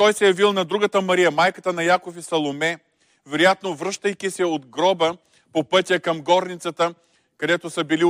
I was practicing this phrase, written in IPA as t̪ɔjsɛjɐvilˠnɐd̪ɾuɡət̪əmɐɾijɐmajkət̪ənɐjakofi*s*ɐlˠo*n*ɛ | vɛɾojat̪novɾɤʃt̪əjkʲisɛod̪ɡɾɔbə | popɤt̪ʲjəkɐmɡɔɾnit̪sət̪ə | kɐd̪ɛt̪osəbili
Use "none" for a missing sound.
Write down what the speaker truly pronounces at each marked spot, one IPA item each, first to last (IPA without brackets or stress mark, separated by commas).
s, m